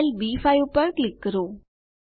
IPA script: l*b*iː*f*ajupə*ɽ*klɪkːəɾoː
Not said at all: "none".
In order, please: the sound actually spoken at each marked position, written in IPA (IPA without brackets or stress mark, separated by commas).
b, f, ɾ